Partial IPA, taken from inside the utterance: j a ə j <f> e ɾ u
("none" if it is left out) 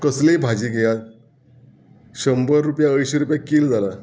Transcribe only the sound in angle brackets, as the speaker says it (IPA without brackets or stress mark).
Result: ɕ